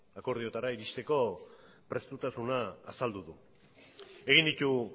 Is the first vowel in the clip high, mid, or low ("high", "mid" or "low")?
low